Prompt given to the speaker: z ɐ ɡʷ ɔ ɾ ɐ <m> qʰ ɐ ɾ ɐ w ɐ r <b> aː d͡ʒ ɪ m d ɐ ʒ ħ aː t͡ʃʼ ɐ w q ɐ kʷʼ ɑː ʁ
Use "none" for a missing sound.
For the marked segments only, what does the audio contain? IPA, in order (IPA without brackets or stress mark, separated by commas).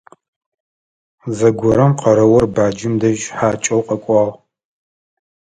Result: m, b